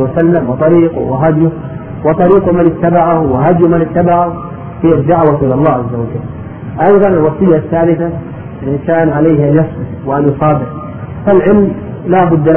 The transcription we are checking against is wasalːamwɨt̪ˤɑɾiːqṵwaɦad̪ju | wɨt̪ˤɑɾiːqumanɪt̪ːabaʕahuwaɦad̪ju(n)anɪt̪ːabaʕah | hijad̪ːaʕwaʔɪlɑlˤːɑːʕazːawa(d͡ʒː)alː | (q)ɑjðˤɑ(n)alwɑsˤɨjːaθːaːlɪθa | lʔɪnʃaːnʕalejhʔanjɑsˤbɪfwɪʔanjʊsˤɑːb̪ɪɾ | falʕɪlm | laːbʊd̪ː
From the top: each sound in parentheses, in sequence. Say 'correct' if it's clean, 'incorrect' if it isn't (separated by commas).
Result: incorrect, incorrect, incorrect, correct